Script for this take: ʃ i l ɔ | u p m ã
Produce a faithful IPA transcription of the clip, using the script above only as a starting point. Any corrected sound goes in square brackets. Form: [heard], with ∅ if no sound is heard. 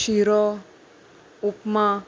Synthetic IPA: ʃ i [ɾ] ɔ | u p m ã